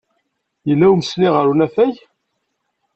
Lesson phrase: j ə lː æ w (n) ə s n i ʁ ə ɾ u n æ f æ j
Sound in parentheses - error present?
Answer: yes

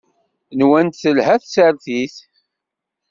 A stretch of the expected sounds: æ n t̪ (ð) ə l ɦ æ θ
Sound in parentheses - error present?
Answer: yes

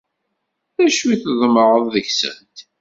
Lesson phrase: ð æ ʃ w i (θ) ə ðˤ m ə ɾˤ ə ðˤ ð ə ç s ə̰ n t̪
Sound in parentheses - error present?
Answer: no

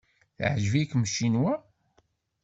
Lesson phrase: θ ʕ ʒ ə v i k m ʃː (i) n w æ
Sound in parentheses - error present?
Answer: no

